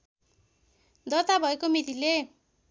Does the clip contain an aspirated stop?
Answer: no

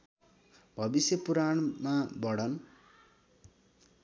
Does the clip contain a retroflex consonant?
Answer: yes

